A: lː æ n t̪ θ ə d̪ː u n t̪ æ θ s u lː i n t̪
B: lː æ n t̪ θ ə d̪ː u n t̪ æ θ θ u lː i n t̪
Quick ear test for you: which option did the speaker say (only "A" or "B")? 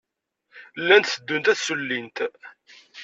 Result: A